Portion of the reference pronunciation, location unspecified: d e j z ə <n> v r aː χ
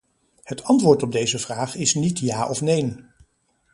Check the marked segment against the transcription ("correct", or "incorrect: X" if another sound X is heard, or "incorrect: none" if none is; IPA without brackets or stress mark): incorrect: none